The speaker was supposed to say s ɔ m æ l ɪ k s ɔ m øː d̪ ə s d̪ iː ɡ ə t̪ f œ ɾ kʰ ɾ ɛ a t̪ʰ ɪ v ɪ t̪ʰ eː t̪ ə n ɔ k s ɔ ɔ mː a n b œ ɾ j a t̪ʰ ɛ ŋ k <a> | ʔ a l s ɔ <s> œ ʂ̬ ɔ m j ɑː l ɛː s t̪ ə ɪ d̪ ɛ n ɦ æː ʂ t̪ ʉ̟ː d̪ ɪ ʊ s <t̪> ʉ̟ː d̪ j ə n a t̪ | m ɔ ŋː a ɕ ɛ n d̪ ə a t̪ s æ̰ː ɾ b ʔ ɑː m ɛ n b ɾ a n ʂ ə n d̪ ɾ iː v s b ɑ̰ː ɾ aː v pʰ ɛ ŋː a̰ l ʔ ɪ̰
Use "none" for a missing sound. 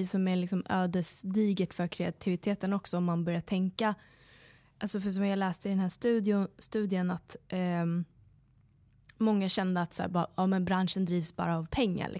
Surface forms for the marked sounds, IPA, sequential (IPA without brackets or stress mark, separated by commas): a, f, t̪